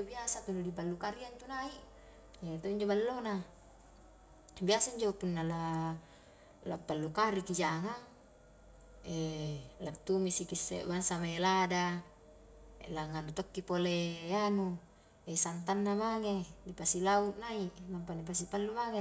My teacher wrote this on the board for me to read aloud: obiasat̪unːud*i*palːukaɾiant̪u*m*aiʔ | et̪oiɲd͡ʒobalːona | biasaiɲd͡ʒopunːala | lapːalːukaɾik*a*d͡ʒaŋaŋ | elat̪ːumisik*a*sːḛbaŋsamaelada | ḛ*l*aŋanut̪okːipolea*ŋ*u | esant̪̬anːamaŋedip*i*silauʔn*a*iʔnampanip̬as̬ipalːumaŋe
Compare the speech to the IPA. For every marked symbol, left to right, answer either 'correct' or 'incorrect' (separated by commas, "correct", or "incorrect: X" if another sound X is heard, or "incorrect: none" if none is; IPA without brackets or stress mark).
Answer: correct, incorrect: n, incorrect: i, incorrect: i, correct, incorrect: n, incorrect: a, correct